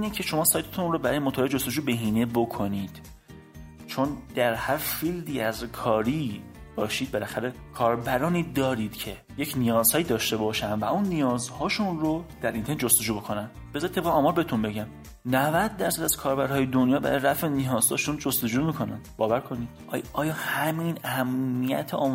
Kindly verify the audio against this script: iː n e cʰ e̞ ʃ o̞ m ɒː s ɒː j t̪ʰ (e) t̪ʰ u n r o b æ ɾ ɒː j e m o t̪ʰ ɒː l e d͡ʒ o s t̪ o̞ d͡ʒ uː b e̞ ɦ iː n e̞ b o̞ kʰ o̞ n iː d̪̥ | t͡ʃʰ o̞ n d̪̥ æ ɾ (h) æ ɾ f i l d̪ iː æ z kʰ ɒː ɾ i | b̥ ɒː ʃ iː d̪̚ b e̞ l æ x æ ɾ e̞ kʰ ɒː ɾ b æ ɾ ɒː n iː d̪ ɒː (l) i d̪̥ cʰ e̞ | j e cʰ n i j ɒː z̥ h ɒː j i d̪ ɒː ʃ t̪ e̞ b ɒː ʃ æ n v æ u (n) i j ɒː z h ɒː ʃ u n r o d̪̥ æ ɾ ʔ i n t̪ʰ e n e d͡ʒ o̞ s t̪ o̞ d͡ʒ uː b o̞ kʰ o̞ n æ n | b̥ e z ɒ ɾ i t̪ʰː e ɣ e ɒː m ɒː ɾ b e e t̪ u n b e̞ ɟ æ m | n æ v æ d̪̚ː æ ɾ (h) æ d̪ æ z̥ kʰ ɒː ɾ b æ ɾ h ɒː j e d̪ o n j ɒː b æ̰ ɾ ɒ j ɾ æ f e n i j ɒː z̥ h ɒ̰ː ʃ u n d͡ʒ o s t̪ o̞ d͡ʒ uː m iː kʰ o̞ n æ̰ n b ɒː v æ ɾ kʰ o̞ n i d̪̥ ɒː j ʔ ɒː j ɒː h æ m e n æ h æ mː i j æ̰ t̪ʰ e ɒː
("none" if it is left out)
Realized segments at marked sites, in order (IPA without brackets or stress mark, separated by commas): e, h, ɾ, nː, s